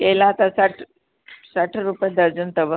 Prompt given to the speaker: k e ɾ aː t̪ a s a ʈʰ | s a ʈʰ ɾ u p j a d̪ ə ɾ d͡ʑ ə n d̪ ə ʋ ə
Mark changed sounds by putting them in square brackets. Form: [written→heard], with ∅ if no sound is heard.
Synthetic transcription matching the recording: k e [ɾ→l] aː t̪ a s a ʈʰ | s a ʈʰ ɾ u p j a d̪ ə ɾ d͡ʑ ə n [d̪→t̪] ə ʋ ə